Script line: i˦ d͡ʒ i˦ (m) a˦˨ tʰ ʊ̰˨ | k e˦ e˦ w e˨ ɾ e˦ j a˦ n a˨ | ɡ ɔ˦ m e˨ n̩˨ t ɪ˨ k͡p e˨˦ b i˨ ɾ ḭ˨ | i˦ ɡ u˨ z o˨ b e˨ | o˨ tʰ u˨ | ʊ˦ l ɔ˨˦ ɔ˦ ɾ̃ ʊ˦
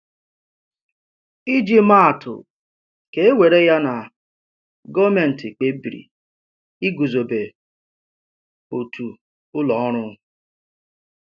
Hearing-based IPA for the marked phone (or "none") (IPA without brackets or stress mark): m